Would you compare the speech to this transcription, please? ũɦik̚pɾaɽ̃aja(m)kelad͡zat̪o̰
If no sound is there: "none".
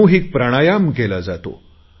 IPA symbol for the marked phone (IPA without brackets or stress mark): m